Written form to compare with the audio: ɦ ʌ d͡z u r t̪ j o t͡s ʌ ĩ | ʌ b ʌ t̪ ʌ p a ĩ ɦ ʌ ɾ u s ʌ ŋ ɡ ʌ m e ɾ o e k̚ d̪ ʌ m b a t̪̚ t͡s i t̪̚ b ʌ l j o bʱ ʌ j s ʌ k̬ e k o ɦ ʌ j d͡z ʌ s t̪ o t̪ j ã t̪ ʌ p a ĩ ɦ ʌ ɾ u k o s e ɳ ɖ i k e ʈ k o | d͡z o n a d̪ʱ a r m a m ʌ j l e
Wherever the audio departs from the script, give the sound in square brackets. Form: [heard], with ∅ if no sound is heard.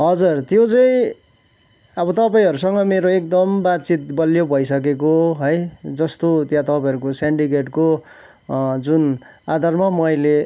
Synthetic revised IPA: ɦ ʌ d͡z u r t̪ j o t͡s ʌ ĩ | ʌ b ʌ t̪ ʌ p a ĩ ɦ ʌ ɾ u s ʌ ŋ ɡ ʌ m e ɾ o e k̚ d̪ ʌ m b a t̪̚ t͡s i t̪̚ b ʌ l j o bʱ ʌ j s ʌ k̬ e k o ɦ ʌ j d͡z ʌ s t̪ o t̪ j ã t̪ ʌ p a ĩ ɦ ʌ ɾ u k o s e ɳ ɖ i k e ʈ k o | d͡z [u] n a d̪ʱ a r m a m ʌ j l e